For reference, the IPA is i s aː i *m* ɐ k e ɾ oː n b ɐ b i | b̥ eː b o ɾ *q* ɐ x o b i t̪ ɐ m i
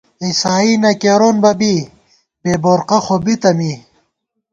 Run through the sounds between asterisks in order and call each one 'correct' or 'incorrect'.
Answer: incorrect, correct

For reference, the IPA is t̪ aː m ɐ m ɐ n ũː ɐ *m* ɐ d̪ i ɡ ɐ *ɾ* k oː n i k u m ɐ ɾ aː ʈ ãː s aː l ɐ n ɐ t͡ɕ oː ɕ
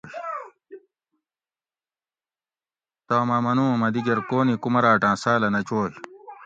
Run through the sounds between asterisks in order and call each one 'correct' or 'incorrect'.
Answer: correct, correct

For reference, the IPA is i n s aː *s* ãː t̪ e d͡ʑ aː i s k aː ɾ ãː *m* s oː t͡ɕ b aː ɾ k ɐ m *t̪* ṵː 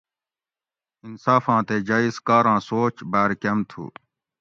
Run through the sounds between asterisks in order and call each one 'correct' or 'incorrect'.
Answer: incorrect, incorrect, incorrect

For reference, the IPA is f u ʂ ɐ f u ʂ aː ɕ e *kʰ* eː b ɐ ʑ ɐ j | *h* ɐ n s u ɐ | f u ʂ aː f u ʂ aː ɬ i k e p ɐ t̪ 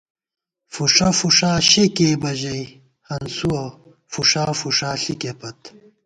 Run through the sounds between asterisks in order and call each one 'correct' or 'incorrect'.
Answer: incorrect, correct

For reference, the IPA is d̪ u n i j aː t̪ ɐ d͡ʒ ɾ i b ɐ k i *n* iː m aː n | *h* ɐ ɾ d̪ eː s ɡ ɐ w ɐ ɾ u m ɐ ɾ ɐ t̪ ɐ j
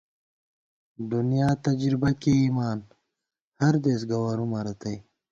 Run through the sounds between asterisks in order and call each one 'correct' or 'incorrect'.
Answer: incorrect, correct

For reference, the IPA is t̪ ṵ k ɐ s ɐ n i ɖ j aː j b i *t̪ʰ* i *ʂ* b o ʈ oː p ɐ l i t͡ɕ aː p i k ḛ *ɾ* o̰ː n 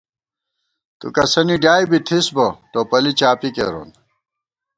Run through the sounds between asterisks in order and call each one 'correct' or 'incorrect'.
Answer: correct, incorrect, correct

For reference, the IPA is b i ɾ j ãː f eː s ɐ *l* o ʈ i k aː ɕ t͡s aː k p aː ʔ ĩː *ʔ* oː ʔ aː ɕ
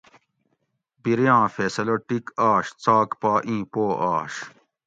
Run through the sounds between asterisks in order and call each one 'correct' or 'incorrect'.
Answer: correct, incorrect

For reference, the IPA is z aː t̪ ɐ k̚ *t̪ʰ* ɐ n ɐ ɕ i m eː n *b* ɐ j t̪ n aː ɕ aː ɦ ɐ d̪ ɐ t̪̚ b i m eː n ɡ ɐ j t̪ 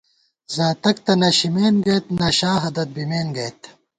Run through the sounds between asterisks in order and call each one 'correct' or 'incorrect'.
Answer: incorrect, incorrect

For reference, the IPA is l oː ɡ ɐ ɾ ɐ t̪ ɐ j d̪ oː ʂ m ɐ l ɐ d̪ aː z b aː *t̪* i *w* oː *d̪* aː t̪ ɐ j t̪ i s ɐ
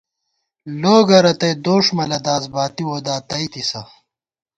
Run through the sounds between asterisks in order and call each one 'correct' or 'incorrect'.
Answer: correct, correct, correct

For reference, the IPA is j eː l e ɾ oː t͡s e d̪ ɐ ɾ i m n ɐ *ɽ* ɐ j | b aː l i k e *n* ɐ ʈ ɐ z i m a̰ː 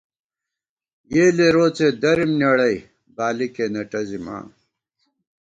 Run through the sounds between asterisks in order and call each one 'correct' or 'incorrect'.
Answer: correct, correct

